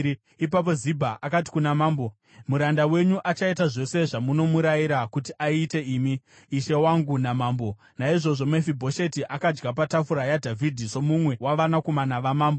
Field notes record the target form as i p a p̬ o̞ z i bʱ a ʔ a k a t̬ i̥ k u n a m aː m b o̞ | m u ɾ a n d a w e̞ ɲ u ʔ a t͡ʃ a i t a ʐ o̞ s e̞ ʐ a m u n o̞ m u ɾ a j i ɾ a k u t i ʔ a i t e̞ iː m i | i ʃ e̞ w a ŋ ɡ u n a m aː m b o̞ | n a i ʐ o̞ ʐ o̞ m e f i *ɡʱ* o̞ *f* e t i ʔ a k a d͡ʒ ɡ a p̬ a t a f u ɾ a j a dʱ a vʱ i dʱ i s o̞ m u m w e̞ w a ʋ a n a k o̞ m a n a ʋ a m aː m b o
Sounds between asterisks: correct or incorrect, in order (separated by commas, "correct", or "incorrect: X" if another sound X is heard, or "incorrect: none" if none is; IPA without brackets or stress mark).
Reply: incorrect: bʱ, incorrect: ʃ